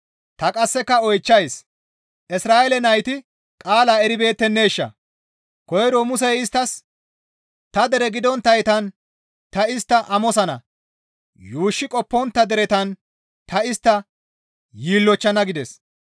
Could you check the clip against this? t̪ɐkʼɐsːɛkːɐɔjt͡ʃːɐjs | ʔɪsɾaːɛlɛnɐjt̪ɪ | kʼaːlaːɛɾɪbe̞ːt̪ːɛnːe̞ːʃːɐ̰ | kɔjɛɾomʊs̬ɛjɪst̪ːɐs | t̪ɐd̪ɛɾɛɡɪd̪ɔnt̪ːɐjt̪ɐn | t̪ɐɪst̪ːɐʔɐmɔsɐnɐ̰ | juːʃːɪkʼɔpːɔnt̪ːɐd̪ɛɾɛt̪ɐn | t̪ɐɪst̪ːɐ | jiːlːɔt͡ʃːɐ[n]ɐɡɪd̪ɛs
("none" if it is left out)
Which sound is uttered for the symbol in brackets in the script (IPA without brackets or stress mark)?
n